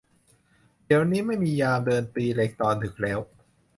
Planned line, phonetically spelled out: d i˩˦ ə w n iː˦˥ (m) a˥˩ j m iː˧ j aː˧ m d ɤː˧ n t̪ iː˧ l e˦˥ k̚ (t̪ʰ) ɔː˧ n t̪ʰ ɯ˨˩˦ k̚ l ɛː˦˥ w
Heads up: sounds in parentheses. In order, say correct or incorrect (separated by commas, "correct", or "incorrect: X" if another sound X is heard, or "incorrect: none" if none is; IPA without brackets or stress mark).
correct, incorrect: t̪